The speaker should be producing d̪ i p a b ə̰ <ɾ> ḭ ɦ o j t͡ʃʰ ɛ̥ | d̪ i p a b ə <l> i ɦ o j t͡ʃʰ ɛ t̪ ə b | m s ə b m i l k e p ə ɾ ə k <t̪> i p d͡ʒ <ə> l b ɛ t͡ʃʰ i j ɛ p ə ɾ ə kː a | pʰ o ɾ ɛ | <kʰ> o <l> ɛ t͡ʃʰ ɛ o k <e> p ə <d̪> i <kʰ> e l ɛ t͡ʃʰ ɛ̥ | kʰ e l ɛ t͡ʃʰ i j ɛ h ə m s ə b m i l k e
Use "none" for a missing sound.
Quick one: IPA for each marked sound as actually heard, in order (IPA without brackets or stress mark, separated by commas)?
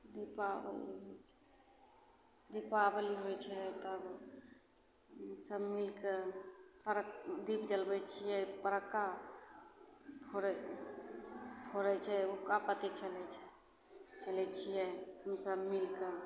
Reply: l, l, d̪, ə, pʰ, ɾ, a, t̪, kʰ